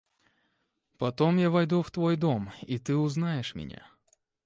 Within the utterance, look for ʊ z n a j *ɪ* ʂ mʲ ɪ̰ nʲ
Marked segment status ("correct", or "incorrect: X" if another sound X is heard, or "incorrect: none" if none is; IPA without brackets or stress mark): correct